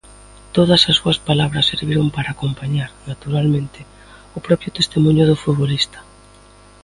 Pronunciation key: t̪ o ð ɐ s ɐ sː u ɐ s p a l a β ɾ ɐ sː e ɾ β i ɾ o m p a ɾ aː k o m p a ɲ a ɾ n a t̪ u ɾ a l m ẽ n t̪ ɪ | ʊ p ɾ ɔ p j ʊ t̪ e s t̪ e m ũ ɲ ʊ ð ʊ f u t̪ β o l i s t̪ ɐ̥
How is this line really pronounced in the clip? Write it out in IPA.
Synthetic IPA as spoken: t̪ o ð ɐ s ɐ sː u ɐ s p a l a β ɾ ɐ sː e ɾ β i ɾ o m p a ɾ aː k o m p a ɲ a ɾ n a t̪ u ɾ a l m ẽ n t̪ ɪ | ʊ p ɾ ɔ p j ʊ t̪ e s t̪ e m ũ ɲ ʊ ð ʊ f u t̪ β o l i s t̪ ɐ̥